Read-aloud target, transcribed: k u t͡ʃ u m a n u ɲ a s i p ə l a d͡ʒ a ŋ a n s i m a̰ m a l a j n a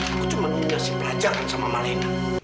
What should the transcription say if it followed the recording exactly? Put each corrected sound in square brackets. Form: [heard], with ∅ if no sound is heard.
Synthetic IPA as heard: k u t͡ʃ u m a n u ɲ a s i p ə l a d͡ʒ a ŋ a n s [a] m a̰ m a l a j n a